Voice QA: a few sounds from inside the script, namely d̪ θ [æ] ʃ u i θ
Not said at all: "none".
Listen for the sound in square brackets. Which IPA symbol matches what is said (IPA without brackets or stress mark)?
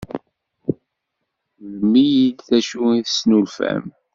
æ